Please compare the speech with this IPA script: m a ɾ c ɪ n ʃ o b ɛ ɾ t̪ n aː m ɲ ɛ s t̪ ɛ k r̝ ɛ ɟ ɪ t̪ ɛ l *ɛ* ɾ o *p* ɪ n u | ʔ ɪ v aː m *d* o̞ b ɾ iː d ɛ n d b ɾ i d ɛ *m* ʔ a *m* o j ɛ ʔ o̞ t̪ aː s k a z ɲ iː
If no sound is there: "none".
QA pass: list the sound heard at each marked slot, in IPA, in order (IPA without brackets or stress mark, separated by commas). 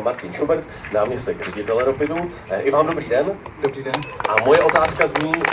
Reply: ɛ, p, d, n, m